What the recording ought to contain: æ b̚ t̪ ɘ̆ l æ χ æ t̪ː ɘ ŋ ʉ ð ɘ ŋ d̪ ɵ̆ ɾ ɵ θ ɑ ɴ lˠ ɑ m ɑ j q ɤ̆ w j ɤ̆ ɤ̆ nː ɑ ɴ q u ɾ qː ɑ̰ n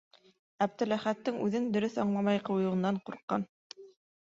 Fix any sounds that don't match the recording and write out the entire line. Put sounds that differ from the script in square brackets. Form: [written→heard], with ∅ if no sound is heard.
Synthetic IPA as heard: æ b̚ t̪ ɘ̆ l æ χ æ t̪ː ɘ ŋ ʉ ð ɘ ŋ d̪ ɵ̆ ɾ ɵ θ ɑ ɴ lˠ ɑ m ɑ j q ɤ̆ w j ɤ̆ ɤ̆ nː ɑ ɴ q u ɾ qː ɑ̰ n